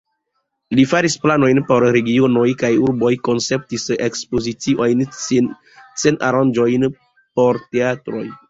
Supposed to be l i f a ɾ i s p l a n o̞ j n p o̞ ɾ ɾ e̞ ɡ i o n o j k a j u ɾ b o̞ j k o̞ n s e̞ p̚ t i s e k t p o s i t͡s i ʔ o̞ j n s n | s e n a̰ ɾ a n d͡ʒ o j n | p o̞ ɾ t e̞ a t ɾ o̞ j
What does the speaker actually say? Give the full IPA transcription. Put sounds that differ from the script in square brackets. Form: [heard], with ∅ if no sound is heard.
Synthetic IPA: l i f a ɾ i s p l a n o̞ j n p o̞ ɾ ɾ e̞ ɡ i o n o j k a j u ɾ b o̞ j k o̞ n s e̞ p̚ t i s e k [s] p o [z] i t͡s i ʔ o̞ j n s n | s e n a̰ ɾ a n d͡ʒ o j n | p o̞ ɾ t e̞ a t ɾ o̞ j